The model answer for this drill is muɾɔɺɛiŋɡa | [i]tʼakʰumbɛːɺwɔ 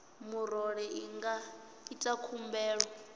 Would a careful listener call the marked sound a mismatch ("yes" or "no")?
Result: no